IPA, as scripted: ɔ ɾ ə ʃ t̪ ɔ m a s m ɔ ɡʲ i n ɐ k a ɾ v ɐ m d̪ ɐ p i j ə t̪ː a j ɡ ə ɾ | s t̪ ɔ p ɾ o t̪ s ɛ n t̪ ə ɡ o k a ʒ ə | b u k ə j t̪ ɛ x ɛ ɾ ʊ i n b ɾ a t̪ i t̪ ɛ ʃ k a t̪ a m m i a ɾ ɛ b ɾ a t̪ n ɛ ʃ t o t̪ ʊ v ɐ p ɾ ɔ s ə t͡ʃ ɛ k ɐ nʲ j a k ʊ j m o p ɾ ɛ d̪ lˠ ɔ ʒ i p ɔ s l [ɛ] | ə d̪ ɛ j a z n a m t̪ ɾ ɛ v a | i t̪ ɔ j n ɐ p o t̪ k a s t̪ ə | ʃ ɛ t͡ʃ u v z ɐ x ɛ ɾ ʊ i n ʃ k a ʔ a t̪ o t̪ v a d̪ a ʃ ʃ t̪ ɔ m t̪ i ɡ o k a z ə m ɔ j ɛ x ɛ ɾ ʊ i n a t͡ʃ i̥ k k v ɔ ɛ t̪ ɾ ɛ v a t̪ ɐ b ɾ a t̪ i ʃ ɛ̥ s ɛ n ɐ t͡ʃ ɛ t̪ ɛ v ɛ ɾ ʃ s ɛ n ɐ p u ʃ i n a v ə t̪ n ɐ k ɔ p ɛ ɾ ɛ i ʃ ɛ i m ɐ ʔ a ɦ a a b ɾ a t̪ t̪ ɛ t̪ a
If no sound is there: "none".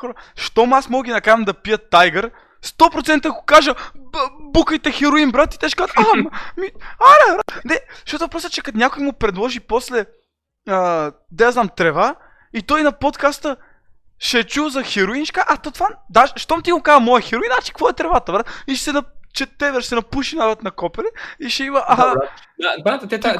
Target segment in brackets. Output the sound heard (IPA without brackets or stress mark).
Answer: ɛ